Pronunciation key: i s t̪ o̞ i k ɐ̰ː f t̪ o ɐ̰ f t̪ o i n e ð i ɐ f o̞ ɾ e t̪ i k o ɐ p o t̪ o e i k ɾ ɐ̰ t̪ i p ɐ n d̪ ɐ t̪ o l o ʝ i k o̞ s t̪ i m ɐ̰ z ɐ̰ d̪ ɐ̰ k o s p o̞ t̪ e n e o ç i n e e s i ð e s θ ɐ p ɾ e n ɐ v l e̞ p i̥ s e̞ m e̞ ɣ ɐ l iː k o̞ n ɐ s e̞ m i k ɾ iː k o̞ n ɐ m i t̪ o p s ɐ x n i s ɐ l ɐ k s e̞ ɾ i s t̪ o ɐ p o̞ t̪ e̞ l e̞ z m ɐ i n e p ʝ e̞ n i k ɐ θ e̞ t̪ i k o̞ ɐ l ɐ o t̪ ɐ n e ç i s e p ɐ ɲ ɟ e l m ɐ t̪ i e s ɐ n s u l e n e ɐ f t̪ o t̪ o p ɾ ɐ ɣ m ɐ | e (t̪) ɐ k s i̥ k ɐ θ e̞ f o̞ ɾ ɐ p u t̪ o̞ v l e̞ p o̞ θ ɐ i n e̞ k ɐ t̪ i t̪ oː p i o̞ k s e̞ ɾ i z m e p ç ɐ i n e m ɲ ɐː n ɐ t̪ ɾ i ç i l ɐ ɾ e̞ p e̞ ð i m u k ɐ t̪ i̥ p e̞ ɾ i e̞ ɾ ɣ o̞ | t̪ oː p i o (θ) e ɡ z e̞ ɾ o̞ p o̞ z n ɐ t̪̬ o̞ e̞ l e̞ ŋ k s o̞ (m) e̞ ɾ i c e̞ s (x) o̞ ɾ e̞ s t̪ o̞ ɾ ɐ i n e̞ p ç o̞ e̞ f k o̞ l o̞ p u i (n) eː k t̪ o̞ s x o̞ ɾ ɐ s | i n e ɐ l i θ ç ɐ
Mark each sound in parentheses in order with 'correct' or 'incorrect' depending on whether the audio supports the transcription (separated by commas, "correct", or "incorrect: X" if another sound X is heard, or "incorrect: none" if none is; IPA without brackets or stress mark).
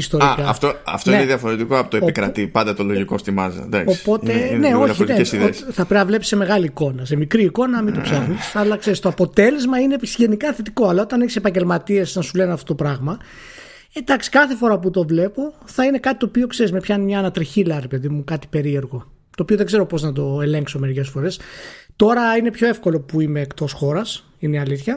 incorrect: d̪, incorrect: ð, correct, incorrect: f, incorrect: m